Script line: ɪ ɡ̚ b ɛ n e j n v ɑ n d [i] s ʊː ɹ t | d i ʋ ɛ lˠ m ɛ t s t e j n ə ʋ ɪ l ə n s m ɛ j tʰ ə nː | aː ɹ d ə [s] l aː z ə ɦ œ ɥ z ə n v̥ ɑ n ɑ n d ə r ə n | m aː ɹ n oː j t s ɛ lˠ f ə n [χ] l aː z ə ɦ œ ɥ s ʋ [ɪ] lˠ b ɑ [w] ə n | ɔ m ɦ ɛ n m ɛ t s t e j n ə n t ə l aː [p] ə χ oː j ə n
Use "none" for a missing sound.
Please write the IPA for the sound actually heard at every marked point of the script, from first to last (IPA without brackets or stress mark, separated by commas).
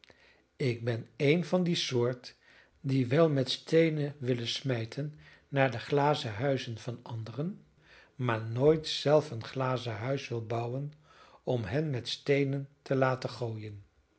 i, χ, χ, ɪ, w, t